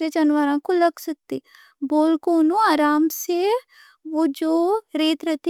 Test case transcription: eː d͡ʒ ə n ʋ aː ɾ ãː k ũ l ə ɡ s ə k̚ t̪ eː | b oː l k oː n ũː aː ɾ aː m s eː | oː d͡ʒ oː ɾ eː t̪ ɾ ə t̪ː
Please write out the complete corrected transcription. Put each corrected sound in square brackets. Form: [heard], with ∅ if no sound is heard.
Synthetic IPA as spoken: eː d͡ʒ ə n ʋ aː ɾ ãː k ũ l ə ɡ s ə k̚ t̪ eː | b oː l k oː n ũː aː ɾ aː m s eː | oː d͡ʒ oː ɾ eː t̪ ɾ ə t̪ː